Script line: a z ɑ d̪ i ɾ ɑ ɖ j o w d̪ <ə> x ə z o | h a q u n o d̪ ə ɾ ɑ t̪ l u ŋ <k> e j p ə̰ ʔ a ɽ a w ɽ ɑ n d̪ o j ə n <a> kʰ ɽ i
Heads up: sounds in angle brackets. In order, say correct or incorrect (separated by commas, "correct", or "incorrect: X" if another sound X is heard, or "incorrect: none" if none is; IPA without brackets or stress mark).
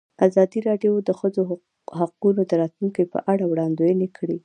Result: correct, correct, incorrect: e